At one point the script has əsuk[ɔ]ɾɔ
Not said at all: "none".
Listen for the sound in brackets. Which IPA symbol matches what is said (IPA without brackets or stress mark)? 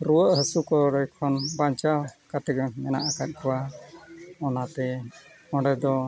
ɔ